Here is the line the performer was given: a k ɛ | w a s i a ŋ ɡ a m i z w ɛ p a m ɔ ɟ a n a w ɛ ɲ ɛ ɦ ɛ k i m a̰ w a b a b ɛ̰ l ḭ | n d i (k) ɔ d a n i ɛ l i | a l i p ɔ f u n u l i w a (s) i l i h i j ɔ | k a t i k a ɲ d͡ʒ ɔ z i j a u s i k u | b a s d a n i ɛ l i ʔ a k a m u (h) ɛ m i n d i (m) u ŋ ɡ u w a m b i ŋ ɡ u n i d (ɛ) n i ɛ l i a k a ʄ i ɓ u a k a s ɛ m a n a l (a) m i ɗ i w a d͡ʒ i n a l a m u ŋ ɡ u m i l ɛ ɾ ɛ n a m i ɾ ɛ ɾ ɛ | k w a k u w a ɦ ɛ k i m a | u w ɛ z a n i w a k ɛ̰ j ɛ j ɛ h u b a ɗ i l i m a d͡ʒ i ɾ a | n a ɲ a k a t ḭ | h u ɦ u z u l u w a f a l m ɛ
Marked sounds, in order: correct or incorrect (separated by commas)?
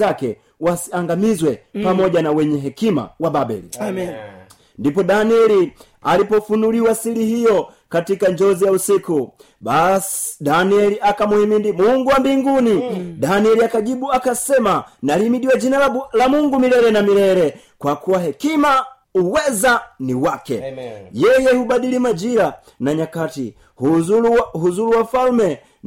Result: incorrect, correct, correct, correct, incorrect, incorrect